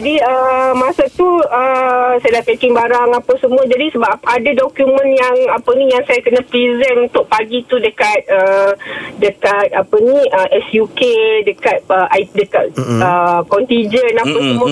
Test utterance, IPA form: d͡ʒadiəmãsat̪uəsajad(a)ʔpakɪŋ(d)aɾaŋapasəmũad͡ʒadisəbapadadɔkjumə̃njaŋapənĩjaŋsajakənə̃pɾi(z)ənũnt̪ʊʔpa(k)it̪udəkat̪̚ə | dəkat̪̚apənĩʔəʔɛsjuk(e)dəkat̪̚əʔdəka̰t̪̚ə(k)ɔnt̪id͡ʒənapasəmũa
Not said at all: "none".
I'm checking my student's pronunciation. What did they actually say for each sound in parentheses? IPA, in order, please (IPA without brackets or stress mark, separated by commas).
a, b, z, ɡ, e, k